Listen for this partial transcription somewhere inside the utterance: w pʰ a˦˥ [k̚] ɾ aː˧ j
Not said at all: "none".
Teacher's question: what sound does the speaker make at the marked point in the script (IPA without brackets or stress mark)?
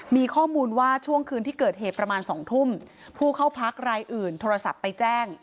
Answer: k̚